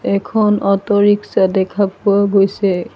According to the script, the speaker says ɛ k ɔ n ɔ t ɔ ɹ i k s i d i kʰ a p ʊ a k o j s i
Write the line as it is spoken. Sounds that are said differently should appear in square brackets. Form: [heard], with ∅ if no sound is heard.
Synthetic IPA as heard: ɛ [kʰ] ɔ n ɔ t ɔ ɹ i k s [a] d [ɛ] kʰ a p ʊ a [ɡ] o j s [ɛ]